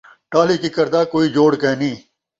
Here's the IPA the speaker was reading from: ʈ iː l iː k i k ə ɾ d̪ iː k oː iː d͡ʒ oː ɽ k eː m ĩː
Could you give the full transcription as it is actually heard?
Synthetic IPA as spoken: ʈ aː l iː k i k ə ɾ d̪ aː k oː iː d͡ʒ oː ɽ k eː n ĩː

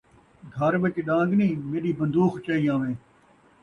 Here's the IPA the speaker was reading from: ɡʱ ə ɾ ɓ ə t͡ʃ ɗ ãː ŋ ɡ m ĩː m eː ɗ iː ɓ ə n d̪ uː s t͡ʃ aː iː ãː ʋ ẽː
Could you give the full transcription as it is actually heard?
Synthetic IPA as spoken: ɡʱ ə ɾ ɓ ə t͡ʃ ɗ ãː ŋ ɡ n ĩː m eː ɗ iː b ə n d̪ uː x t͡ʃ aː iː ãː ʋ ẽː

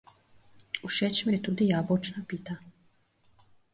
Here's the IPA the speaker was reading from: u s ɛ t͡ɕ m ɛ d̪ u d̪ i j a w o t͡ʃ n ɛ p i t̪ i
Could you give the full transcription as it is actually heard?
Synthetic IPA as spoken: u ʃ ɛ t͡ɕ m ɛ t̪ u d̪ i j a b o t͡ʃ n a p i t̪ a

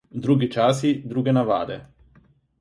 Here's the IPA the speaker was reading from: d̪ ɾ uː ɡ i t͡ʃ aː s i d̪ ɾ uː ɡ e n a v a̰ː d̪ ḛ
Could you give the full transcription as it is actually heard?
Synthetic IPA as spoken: d̪ ɾ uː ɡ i t͡ʃ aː s i d̪ ɾ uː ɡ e n a v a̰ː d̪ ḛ

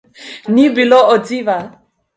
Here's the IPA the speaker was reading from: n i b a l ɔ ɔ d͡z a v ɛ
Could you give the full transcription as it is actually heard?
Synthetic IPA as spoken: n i b i l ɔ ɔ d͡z i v a

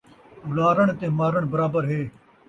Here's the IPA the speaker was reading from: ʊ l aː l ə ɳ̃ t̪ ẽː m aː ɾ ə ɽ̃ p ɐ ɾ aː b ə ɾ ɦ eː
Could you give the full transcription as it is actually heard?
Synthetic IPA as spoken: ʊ l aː ɾ ə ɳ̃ t̪ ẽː m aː ɾ ə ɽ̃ b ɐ ɾ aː b ə ɾ ɦ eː

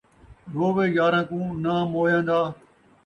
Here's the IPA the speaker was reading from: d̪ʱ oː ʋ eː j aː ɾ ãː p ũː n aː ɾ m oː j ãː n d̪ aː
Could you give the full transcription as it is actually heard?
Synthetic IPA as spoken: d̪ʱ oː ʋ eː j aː ɾ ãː k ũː n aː m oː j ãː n d̪ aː

